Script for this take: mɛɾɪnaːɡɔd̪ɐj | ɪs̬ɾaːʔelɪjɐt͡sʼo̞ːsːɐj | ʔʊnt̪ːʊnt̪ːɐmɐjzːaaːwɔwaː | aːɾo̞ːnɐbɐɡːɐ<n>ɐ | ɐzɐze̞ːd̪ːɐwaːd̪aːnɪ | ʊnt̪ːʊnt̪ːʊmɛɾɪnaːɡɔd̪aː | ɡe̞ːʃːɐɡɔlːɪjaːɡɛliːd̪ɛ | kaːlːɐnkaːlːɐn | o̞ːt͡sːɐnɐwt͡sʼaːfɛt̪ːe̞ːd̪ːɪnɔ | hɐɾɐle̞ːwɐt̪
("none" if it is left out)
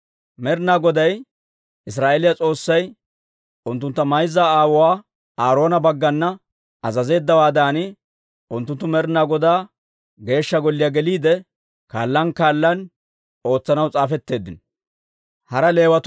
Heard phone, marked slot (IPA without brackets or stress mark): nː